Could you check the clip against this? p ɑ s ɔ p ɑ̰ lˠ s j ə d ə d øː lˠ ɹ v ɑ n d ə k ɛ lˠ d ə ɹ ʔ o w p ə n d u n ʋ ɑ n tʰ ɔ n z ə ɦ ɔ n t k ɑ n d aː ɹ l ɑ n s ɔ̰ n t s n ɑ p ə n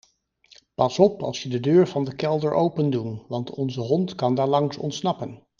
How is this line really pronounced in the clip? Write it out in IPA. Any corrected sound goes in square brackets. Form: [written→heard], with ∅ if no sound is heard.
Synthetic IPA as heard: p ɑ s ɔ p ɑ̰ lˠ s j ə d ə d øː [lˠ→∅] ɹ v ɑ n d ə k ɛ lˠ d ə ɹ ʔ o w p ə n d u n ʋ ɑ n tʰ ɔ n z ə ɦ ɔ n t k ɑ n d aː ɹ l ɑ [n→ŋ] s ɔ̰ n t s n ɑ p ə n